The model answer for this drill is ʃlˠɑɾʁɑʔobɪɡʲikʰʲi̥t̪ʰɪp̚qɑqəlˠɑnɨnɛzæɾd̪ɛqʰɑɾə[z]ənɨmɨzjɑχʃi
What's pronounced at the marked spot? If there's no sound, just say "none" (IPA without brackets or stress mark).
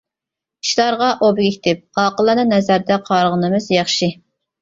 ʁ